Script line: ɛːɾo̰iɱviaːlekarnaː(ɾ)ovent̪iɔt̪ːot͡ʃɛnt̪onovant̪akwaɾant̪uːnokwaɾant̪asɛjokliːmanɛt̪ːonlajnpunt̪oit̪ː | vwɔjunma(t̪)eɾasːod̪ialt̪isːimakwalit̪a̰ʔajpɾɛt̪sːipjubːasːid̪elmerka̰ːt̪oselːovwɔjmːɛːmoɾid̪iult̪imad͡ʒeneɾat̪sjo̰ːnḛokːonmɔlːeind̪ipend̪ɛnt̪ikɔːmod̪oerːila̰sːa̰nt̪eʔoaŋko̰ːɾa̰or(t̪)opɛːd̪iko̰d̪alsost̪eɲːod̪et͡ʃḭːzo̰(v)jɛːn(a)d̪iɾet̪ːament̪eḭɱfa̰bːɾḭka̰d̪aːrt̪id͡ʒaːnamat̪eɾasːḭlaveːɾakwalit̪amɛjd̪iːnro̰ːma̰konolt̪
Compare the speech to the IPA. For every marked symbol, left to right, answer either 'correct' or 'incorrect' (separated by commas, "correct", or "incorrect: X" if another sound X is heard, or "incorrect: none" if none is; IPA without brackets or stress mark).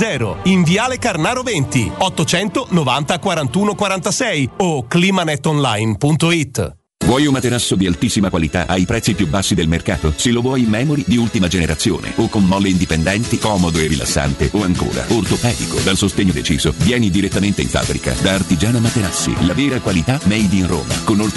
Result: correct, correct, correct, correct, incorrect: i